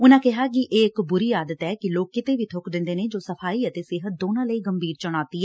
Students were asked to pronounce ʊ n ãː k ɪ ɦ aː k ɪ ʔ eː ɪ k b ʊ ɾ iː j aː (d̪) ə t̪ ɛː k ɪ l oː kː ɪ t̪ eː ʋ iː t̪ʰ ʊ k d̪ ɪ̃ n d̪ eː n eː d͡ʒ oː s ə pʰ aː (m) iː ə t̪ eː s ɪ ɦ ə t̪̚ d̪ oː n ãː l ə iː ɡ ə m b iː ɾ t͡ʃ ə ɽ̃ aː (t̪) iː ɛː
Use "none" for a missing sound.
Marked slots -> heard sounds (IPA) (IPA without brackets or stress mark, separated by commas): d̪, none, t̪